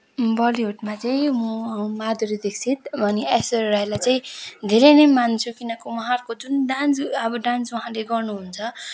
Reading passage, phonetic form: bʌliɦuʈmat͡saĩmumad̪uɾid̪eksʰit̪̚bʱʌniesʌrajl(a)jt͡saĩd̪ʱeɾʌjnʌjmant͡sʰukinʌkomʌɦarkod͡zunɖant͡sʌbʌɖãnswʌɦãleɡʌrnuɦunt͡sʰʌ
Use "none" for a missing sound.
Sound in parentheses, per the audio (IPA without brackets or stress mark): a